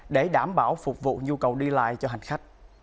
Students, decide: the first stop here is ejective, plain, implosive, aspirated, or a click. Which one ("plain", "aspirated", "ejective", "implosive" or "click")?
implosive